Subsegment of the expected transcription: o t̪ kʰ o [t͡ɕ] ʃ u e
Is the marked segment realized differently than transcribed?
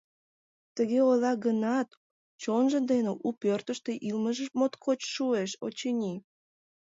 no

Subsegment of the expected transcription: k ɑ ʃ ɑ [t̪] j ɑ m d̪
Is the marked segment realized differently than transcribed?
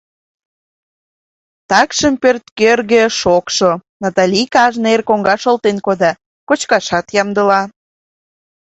no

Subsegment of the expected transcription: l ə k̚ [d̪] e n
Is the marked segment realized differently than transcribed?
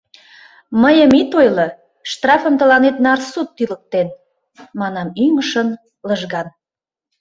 yes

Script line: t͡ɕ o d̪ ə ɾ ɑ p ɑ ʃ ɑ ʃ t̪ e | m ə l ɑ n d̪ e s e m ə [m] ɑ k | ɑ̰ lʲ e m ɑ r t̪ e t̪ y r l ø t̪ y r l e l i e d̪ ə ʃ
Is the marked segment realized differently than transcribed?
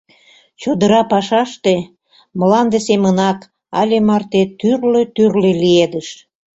yes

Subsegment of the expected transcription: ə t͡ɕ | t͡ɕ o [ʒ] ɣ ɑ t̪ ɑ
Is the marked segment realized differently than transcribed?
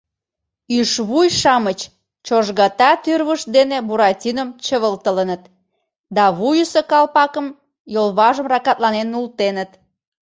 no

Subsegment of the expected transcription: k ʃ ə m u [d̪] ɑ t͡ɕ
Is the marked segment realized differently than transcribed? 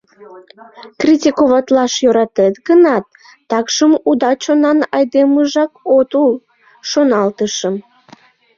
no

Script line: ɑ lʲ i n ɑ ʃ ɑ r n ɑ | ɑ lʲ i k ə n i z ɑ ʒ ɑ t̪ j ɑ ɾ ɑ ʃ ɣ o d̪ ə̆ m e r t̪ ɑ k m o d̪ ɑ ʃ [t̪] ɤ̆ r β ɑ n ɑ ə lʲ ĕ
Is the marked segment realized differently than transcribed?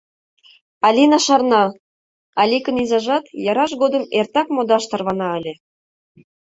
no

